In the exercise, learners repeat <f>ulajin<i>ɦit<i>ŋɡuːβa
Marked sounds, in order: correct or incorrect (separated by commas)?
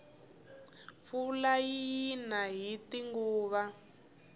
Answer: correct, incorrect, correct